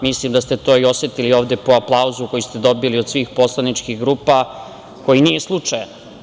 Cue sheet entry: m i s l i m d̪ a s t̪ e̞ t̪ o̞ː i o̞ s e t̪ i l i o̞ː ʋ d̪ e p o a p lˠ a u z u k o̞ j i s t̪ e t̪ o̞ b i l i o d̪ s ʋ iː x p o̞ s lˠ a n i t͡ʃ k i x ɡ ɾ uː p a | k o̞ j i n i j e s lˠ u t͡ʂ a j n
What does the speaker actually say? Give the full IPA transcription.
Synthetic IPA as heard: m i s l i m d̪ a s t̪ e̞ t̪ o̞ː i o̞ s e t̪ i l i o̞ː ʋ d̪ e p o a p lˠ a u z u k o̞ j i s t̪ e d̪ o̞ b i l i o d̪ s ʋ iː x p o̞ s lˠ a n i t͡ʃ k i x ɡ ɾ uː p a | k o̞ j i n i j e s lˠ u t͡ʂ a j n